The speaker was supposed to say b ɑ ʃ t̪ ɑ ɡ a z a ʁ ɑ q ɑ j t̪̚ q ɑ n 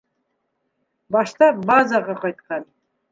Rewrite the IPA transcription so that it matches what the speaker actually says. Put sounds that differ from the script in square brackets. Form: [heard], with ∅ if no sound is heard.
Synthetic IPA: b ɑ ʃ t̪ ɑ [b] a z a ʁ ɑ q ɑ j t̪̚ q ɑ n